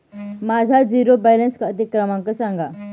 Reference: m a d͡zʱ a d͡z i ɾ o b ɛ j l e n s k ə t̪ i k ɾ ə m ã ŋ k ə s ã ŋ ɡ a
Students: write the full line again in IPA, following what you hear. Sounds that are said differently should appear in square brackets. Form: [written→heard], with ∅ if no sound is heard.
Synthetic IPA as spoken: m a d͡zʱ a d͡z i ɾ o b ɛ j l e n s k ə t̪ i k ɾ ə m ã ŋ k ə s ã ŋ ɡ a

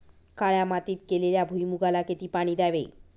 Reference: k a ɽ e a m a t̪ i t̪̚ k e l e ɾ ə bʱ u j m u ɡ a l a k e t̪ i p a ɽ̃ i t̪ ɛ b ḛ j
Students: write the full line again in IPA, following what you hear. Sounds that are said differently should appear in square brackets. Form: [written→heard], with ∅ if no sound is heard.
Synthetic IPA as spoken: k a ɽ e a m a t̪ i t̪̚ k e l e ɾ [ə→a] bʱ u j m u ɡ a l a k e t̪ i p a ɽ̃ i [t̪→d̪] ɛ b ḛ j

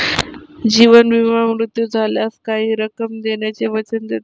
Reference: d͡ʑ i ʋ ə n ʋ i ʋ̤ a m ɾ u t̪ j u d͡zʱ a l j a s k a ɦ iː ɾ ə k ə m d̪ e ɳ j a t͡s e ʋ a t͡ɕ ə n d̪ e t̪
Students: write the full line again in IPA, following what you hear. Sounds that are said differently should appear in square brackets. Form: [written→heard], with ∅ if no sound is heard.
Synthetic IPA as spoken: d͡ʑ i ʋ ə n ʋ i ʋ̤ a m ɾ u t̪ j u d͡zʱ a l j a s k a ɦ iː ɾ ə k ə m d̪ e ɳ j a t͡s e ʋ [a→ə] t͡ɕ ə n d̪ e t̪

